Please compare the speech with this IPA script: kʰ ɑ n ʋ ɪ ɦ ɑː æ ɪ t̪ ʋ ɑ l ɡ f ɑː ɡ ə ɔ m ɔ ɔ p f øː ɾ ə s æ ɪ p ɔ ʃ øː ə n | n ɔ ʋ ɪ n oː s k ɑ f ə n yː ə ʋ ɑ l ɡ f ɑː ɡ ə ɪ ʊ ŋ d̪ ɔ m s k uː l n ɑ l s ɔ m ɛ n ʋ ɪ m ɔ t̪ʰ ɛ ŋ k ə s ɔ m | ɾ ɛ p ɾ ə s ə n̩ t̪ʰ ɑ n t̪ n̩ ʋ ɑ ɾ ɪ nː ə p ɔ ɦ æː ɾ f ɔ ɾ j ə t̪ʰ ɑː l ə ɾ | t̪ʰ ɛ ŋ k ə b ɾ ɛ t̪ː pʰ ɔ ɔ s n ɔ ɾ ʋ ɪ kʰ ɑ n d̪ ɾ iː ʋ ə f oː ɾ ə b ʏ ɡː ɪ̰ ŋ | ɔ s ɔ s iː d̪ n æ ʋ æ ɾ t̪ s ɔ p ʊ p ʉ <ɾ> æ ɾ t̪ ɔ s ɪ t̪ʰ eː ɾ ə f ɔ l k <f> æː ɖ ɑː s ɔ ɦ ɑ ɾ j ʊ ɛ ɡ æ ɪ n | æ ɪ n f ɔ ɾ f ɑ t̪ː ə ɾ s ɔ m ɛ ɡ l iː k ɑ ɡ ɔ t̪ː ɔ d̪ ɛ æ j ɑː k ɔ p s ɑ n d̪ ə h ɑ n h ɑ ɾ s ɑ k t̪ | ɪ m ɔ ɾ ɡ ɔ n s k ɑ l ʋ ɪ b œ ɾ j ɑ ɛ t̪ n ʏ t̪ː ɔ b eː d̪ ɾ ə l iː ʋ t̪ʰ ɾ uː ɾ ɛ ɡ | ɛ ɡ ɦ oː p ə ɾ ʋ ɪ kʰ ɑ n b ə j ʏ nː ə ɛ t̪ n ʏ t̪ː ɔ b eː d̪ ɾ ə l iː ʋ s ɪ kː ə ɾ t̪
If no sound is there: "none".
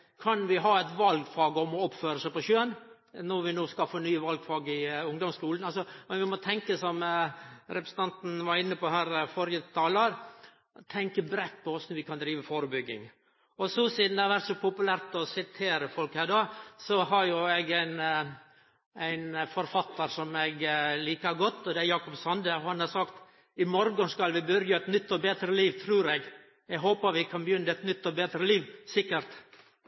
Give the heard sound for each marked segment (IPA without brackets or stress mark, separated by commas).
l, h